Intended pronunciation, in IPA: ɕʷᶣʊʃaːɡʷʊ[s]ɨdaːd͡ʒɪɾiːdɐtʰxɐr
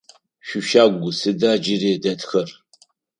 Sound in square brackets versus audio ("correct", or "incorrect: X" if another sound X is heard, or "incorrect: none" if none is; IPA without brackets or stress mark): correct